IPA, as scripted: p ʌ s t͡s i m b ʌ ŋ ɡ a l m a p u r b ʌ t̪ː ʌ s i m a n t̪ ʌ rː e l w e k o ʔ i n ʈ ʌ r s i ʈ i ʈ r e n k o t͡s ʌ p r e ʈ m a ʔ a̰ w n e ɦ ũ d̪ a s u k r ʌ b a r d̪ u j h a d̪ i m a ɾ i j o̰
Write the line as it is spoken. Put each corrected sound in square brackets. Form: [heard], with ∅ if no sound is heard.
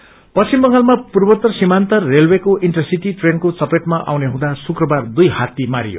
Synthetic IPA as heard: p ʌ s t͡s i m b ʌ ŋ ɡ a l m a p u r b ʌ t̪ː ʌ s i m a n t̪ ʌ rː e l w e k o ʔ i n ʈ ʌ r s i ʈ i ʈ r e n k o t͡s ʌ p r e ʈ m a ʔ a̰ w n e ɦ ũ d̪ a s u k r ʌ b a r d̪ u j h a [t̪] i m a ɾ i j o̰